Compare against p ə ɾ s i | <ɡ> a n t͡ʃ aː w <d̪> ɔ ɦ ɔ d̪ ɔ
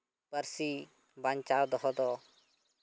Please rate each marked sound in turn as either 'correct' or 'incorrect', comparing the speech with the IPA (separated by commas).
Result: incorrect, correct